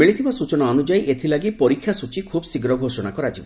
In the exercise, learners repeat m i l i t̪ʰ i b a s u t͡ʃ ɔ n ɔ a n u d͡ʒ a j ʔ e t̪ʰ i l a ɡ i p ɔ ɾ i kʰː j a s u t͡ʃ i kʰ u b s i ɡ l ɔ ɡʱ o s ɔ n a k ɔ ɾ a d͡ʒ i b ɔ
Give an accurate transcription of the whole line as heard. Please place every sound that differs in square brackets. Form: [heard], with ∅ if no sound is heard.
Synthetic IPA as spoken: m i [ɭ] i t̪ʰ i b a s u t͡ʃ ɔ n ɔ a n u d͡ʒ a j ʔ e t̪ʰ i l a ɡ i p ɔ ɾ i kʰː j a s u t͡ʃ i kʰ u b s i ɡ [ɾ] ɔ ɡʱ o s ɔ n a k ɔ ɾ a d͡ʒ i b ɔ